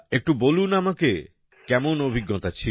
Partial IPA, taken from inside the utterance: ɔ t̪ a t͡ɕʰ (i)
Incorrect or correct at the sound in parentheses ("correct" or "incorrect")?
correct